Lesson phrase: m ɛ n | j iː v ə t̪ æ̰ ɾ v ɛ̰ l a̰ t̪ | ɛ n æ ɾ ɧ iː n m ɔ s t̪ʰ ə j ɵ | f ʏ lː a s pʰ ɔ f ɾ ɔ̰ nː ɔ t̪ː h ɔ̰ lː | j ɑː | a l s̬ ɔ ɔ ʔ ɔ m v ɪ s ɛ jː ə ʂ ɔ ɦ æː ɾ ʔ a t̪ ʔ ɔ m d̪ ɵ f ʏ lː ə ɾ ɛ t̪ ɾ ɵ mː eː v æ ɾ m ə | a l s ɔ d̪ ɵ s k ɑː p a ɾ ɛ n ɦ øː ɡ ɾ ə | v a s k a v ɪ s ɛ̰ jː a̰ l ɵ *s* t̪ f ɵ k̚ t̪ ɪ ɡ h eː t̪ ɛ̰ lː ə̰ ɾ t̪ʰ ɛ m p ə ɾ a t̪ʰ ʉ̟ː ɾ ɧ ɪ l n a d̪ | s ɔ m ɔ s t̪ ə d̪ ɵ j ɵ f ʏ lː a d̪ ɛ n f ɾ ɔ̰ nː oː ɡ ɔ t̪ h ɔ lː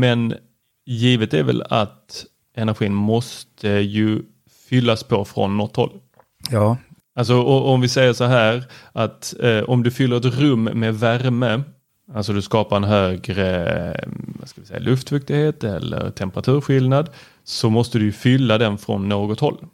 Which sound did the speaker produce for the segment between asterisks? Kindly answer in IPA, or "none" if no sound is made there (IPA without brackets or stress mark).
f